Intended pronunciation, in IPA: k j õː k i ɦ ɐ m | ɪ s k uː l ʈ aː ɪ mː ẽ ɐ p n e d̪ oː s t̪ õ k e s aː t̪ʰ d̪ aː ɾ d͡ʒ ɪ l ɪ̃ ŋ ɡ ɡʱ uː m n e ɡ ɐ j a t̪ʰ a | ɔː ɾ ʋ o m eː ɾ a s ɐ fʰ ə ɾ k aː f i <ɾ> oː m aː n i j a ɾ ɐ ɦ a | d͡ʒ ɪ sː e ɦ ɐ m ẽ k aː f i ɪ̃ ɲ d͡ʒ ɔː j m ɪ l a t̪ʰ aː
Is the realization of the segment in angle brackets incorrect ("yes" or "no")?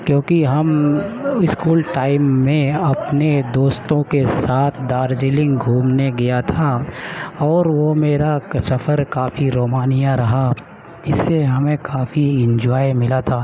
no